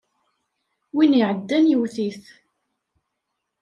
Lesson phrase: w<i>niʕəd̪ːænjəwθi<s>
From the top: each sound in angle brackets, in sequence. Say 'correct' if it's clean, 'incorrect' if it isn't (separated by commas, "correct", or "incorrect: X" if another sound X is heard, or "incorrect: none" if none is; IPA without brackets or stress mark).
correct, incorrect: θ